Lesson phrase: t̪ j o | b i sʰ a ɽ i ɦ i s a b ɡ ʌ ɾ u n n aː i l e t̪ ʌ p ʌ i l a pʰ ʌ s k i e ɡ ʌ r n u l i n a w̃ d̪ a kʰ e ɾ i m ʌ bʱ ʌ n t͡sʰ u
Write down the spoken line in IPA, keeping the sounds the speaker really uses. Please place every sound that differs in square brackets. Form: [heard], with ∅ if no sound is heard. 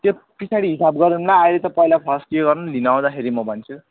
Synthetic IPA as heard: t̪ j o | [p] i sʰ a ɽ i ɦ i s a b ɡ ʌ ɾ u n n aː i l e t̪ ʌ p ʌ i l a pʰ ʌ s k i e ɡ ʌ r n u l i n a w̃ d̪ a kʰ e ɾ i m ʌ bʱ ʌ n t͡sʰ u